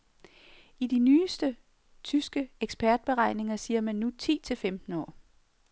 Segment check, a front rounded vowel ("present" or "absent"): present